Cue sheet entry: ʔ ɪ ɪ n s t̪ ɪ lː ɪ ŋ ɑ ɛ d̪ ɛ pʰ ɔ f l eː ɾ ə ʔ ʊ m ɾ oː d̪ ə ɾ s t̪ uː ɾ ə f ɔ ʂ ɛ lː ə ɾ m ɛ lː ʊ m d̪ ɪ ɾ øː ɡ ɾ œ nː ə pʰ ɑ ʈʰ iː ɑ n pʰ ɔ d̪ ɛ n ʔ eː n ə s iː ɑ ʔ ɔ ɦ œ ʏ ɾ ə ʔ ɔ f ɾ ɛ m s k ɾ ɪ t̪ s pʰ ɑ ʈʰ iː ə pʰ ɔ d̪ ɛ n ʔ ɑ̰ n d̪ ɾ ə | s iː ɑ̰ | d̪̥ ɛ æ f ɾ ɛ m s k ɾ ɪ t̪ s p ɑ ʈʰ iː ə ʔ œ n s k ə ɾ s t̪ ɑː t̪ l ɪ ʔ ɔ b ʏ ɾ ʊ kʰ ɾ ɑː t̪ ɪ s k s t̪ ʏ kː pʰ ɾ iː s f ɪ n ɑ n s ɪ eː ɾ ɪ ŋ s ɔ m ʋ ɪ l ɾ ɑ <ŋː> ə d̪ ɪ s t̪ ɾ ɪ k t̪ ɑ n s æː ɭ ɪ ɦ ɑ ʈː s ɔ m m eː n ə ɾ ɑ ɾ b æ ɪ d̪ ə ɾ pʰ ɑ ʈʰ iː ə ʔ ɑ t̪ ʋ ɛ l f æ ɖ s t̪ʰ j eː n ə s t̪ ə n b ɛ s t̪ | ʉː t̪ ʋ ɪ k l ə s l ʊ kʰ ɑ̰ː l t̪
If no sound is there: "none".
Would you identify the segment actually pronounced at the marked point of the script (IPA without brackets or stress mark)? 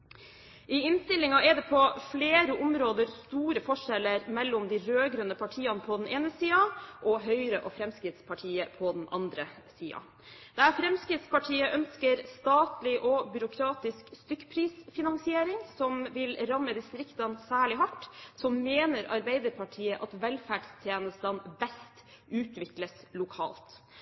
mː